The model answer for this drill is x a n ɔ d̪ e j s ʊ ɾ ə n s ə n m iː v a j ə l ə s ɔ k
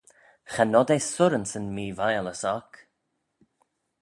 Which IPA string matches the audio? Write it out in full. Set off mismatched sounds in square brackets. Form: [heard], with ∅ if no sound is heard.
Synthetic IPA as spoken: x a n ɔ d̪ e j s ʊ ɾ ə n s ə n m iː v a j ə l ə s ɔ k